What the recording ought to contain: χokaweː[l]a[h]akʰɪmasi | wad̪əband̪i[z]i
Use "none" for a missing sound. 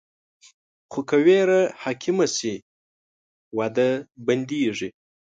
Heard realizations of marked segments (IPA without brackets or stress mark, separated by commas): ɾ, h, ʐ